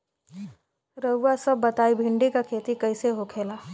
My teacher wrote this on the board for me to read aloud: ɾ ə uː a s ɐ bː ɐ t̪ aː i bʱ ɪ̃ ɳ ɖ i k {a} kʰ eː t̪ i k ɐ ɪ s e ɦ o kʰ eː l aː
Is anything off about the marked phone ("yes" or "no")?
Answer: no